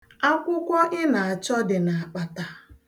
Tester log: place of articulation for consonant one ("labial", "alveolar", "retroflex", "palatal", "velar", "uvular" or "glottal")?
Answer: velar